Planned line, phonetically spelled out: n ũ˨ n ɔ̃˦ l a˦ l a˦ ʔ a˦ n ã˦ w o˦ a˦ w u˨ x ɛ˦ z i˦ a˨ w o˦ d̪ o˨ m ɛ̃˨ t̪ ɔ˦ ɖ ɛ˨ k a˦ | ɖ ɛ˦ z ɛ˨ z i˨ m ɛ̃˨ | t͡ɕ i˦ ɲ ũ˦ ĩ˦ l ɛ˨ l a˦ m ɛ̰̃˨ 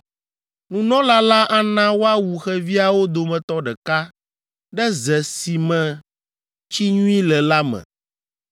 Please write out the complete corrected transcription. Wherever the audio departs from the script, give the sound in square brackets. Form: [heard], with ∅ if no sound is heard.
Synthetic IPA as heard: n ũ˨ n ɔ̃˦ l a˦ l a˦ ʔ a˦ n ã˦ w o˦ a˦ w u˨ x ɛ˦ [v] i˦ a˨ w o˦ d̪ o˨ m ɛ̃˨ t̪ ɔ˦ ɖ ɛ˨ k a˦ | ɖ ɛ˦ z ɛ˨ [s] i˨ m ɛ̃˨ | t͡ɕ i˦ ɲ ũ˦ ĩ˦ l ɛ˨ l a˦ m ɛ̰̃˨

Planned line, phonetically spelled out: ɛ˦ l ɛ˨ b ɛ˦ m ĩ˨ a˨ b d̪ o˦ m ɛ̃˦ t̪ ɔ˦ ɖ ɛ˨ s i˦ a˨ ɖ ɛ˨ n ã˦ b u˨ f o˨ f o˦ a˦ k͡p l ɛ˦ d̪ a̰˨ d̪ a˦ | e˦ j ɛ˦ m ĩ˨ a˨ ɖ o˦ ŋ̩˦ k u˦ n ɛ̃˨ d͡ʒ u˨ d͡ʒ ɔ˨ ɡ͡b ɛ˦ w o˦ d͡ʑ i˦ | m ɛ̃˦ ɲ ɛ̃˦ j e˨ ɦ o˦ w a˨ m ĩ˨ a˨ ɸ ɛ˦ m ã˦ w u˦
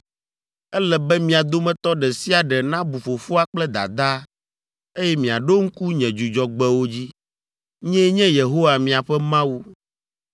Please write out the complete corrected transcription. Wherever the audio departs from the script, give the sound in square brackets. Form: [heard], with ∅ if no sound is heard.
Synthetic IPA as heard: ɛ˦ l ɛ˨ b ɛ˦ m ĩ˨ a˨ [∅] d̪ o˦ m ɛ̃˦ t̪ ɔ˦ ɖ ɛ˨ s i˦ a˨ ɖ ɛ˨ n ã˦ b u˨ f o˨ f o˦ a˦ k͡p l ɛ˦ d̪ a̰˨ d̪ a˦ | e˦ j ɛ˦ m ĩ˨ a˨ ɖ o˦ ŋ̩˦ k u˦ [ɲ] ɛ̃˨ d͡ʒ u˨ d͡ʒ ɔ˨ ɡ͡b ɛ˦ w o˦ d͡ʑ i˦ | [ɲ] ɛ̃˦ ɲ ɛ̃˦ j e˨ ɦ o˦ w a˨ m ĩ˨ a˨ ɸ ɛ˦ m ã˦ w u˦

